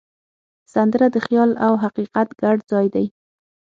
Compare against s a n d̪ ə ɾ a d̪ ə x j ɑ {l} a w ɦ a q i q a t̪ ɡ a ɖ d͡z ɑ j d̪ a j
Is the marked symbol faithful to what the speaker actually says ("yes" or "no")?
yes